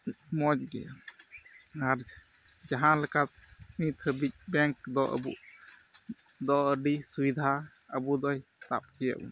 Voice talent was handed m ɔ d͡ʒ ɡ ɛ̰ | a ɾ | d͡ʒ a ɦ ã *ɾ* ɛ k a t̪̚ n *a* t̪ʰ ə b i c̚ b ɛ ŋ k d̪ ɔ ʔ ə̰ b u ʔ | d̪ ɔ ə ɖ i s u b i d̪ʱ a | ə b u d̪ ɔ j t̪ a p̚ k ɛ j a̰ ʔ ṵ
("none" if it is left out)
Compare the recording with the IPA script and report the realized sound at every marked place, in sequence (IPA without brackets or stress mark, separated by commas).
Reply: l, i